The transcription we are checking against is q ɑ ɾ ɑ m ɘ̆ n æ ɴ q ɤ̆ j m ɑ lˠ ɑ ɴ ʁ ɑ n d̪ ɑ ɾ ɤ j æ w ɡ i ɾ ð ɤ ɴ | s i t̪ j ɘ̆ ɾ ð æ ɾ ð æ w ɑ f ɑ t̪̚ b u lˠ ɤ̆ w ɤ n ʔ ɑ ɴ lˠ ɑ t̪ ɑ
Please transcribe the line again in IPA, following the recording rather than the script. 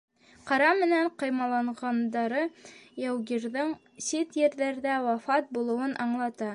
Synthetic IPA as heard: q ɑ ɾ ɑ m ɘ̆ n æ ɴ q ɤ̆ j m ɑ lˠ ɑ ɴ ʁ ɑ n d̪ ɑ ɾ ɤ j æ w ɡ i ɾ ð ɤ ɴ | s i t̪ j ɘ̆ ɾ ð æ ɾ ð æ w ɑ f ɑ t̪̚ b u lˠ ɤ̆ w ɤ n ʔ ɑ ɴ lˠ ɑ t̪ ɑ

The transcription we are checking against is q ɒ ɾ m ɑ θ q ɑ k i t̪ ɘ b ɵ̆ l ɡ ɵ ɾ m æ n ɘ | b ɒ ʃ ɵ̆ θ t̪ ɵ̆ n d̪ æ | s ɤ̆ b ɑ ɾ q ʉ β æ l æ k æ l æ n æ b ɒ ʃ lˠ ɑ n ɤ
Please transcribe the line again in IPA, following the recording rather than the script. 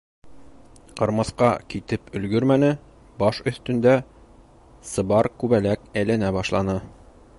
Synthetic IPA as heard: q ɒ ɾ m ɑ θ q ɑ k i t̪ ɘ p ɵ̆ l ɡ ɵ ɾ m æ n ɘ | b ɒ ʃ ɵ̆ θ t̪ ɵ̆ n d̪ æ | s ɤ̆ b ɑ ɾ k ʉ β æ l æ k æ l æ n æ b ɒ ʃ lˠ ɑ n ɤ

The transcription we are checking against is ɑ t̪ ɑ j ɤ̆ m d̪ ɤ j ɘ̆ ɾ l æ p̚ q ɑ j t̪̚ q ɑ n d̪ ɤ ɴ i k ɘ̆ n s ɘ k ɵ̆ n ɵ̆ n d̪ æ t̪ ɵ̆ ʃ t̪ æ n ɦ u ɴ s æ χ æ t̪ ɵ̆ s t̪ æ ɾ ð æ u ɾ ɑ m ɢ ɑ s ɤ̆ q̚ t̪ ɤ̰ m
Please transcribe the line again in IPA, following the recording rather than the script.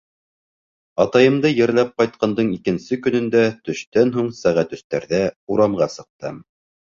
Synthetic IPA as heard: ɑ t̪ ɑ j ɤ̆ m d̪ ɤ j ɘ̆ ɾ l æ p̚ q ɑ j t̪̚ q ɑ n d̪ ɤ ɴ i k ɘ̆ n s ɘ k ɵ̆ n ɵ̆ n d̪ æ t̪ ɵ̆ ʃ t̪ æ n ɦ u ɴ s æ ʁ æ t̪ ɵ̆ s t̪ æ ɾ ð æ u ɾ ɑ m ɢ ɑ s ɤ̆ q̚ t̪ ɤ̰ m

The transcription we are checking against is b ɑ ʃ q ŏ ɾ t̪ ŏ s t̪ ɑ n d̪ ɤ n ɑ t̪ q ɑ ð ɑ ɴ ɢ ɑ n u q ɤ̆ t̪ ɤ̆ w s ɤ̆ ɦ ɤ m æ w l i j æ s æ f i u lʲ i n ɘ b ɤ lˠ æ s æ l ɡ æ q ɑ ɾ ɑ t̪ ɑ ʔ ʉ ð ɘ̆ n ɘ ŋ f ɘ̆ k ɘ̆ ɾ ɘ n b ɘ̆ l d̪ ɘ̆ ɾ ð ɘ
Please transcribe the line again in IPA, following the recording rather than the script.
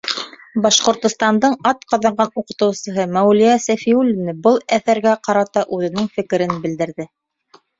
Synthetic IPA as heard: b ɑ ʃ q ŏ ɾ t̪ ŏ s t̪ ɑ n d̪ ɤ ɴ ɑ t̪ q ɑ ð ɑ ɴ ɢ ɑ n u q ɤ̆ t̪ ɤ̆ w s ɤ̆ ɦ ɤ m æ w l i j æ s æ f i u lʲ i n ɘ b ɤ lˠ æ θ æ ɾ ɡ æ q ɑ ɾ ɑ t̪ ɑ ʔ ʉ ð ɘ̆ n ɘ ŋ f ɘ̆ k ɘ̆ ɾ ɘ n b ɘ̆ l d̪ ɘ̆ ɾ ð ɘ

